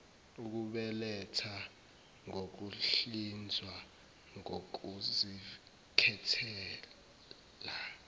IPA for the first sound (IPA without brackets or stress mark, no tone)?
u